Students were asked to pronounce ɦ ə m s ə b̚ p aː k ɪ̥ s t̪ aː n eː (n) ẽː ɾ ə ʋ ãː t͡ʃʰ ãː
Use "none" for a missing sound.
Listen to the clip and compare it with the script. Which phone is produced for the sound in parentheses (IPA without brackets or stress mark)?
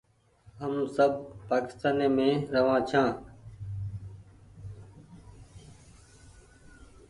m